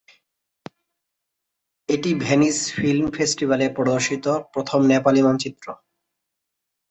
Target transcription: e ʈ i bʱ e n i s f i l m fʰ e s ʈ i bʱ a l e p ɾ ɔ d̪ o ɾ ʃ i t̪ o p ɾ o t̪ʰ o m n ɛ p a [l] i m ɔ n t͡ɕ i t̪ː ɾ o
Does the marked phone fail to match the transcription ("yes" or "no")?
no